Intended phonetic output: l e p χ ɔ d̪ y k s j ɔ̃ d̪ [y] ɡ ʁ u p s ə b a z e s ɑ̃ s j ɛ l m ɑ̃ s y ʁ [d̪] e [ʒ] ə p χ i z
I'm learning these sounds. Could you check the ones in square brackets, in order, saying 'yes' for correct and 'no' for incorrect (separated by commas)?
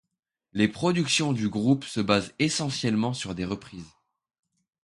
yes, yes, no